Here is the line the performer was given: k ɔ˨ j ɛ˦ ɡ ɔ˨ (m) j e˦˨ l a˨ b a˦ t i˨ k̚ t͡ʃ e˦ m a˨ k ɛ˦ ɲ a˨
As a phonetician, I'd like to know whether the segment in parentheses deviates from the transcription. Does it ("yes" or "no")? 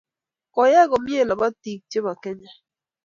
no